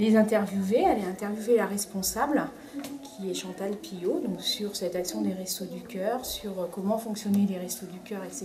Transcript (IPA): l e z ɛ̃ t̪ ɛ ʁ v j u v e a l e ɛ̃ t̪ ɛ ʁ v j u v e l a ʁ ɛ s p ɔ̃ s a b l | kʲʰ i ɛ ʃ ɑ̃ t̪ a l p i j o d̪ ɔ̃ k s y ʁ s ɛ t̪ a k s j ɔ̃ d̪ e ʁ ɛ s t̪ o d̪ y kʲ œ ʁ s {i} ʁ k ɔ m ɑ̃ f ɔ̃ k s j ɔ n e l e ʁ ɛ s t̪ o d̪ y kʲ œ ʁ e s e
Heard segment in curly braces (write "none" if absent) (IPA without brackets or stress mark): y